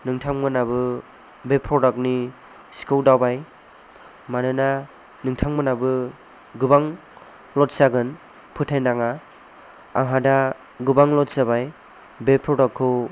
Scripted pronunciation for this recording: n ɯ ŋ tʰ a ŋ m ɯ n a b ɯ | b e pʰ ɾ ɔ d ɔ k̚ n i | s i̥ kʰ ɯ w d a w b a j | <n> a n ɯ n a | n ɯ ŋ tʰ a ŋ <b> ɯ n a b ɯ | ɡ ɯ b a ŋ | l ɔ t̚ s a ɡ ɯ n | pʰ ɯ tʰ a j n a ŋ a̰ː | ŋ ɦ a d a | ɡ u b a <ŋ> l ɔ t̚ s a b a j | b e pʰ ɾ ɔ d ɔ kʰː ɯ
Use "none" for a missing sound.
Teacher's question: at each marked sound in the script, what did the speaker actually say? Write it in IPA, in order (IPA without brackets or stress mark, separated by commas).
m, m, ŋ